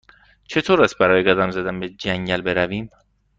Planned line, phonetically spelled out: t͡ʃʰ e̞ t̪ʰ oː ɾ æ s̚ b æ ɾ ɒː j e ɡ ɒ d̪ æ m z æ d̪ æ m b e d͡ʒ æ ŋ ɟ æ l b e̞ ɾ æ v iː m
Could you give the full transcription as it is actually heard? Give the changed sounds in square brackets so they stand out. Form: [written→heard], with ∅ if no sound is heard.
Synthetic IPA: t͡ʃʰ e̞ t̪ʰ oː ɾ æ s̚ b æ ɾ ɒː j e ɡ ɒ d̪ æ m z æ d̪ æ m b e d͡ʒ æ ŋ ɟ æ l b e̞ ɾ æ v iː m